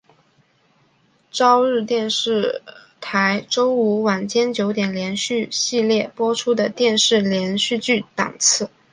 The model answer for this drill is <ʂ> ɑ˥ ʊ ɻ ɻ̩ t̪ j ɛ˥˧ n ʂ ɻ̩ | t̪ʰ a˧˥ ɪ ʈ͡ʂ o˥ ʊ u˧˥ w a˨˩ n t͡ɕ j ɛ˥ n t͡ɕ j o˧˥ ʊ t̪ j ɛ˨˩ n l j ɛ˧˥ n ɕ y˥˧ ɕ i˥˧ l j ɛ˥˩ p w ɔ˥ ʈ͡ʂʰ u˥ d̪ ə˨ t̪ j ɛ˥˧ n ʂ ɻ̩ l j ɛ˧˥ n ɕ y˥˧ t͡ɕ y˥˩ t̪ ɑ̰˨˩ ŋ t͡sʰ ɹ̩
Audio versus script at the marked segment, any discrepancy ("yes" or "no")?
yes